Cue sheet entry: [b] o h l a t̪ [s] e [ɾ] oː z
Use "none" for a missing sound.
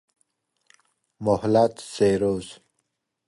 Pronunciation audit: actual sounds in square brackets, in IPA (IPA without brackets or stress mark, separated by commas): m, s, ɾ